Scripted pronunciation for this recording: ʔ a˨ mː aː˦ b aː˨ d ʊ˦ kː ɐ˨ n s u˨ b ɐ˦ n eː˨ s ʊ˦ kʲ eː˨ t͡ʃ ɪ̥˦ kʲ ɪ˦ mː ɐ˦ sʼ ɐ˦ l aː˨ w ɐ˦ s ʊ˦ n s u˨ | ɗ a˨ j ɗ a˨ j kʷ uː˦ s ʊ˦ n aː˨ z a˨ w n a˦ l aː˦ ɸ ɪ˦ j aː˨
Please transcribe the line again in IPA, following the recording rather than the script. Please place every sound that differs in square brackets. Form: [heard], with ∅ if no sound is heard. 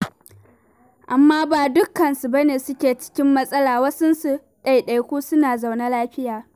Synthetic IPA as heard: ʔ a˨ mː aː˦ b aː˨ d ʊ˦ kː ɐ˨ n s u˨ b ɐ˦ n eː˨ s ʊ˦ kʲ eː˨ t͡ʃ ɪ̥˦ kʲ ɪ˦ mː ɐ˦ sʼ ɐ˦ l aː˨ w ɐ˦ s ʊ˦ n s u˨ | ɗ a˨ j ɗ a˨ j kʷ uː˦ s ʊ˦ n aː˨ z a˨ w n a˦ l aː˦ ɸ ɪ˦ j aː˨